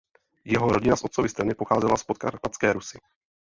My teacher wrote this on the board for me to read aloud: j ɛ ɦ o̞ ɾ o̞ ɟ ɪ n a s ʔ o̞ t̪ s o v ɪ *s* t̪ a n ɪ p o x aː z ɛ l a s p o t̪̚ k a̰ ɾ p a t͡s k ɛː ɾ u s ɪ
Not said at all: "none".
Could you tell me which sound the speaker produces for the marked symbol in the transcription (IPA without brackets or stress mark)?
s